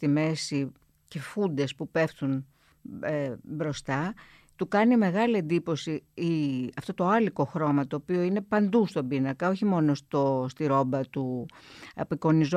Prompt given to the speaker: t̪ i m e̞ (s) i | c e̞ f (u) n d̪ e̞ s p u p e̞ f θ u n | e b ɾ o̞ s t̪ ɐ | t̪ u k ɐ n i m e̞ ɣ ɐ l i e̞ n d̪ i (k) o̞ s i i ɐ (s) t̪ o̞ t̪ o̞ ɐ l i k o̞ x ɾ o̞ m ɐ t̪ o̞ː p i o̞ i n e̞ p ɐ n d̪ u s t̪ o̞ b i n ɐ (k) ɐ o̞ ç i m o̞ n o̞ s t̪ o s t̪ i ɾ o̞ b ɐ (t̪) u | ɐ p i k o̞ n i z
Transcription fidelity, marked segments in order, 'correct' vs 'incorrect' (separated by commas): correct, correct, incorrect, incorrect, correct, correct